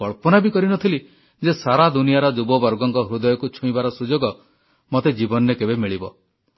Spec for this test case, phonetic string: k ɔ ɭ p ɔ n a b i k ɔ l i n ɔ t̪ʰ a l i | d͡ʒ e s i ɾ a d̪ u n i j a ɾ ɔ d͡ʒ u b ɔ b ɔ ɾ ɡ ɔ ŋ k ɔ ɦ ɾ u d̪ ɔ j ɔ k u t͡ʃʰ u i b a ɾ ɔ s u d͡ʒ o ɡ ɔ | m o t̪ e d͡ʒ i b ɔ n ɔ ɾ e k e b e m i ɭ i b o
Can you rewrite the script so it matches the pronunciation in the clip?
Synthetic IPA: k ɔ ɭ p ɔ n a b i k ɔ ɾ i n ɔ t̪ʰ i l i | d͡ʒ e s a ɾ a d̪ u n i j a ɾ ɔ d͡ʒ u b ɔ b ɔ ɾ ɡ ɔ ŋ k ɔ ɦ ɾ u d̪ ɔ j ɔ k u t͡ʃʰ u i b a ɾ ɔ s u d͡ʒ o ɡ ɔ | m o t̪ e d͡ʒ i b ɔ n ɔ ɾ e k e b e m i ɭ i b ɔ

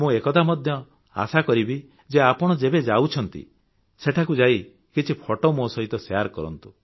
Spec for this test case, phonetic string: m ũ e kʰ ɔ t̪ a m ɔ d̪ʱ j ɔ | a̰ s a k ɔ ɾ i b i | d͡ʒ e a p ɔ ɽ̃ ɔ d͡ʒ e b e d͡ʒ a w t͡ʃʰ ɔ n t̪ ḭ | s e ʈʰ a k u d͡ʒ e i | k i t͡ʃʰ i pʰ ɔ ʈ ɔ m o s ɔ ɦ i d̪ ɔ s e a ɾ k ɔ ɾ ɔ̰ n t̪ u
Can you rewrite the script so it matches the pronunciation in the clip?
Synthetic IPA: m ũ e k ɔ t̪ a m ɔ d̪ʱ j ɔ | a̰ s a k ɔ ɾ i b i | d͡ʒ e a p ɔ ɽ̃ ɔ d͡ʒ e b e d͡ʒ a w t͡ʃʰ ɔ n t̪ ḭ | s e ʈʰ a k u d͡ʒ a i | k i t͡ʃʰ i pʰ ɔ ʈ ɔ m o s ɔ ɦ i t̪ ɔ s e a ɾ k ɔ ɾ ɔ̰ n t̪ u

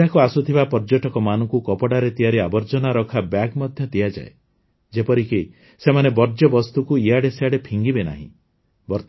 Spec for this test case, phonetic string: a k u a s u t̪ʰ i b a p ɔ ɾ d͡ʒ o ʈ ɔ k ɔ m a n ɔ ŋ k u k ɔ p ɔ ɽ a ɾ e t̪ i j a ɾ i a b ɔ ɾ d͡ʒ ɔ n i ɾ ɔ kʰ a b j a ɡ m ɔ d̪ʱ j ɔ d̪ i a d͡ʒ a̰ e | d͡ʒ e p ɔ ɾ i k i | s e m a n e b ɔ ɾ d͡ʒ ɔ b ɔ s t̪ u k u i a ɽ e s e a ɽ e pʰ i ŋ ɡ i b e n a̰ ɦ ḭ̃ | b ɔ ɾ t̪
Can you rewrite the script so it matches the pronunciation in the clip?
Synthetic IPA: a k u a s u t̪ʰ i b a p ɔ ɾ d͡ʒ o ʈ ɔ k ɔ m a n ɔ ŋ k u k ɔ p ɔ ɽ a ɾ e t̪ i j a ɾ i a b ɔ ɾ d͡ʒ ɔ n a ɾ ɔ kʰ a b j a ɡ m ɔ d̪ʱ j ɔ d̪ i a d͡ʒ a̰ e | d͡ʒ e p ɔ ɾ i k i | s e m a n e b ɔ ɾ d͡ʒ ɔ b ɔ s t̪ u k u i a ɽ e s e a ɽ e pʰ i ŋ ɡ i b e n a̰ ɦ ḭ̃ | b ɔ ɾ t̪

